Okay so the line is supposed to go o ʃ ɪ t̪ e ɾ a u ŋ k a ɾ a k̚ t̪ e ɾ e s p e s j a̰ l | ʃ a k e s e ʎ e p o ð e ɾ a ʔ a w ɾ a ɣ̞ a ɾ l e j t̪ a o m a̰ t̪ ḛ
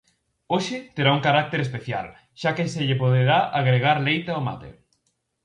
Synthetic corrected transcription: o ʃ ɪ t̪ e ɾ a u ŋ k a ɾ a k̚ t̪ e ɾ e s p e θ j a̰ l | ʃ a k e s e ʎ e p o ð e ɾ a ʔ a ɣ ɾ e ɣ̞ a ɾ l e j t̪ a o m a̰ t̪ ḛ